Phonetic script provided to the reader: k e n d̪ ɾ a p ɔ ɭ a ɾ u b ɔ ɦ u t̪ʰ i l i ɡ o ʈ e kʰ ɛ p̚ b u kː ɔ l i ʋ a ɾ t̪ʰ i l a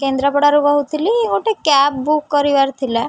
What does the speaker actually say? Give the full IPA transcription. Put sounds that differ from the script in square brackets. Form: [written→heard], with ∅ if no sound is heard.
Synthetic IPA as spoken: k e n d̪ ɾ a p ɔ [ɭ→ɽ] a ɾ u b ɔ ɦ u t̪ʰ i l i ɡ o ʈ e [kʰ→k] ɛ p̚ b u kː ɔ [l→ɾ] i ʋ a ɾ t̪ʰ i l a